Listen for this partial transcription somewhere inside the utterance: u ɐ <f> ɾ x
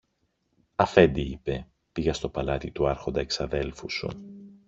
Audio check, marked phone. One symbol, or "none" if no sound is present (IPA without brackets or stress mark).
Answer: none